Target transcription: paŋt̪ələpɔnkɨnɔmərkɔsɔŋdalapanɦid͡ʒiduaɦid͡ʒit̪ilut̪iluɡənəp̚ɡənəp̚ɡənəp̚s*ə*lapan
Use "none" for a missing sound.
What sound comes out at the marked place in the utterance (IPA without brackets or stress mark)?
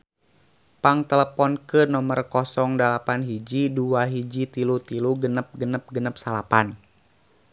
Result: a